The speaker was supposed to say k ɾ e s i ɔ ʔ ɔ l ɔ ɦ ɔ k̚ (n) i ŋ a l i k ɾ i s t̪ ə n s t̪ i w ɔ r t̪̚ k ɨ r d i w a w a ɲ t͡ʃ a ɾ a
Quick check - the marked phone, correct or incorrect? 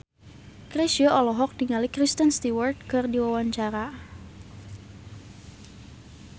incorrect: d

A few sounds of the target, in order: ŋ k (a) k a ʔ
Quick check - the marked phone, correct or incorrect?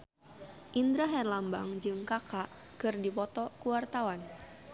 correct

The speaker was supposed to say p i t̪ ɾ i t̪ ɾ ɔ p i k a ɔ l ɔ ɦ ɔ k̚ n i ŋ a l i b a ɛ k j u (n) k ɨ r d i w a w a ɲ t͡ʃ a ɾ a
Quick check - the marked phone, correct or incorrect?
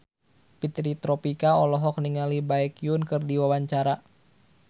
correct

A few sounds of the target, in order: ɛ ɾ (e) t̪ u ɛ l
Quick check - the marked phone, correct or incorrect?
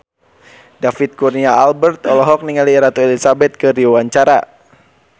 incorrect: a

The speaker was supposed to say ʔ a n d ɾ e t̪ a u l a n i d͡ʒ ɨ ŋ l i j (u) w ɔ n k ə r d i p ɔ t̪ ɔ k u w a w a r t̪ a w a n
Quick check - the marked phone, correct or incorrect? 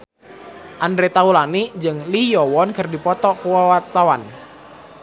incorrect: ɔ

